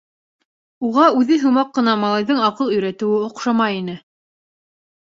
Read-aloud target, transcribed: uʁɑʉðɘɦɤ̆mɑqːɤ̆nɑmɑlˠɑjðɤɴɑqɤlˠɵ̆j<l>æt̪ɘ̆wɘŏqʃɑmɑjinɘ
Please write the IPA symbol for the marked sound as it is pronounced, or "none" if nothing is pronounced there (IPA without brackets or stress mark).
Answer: ɾ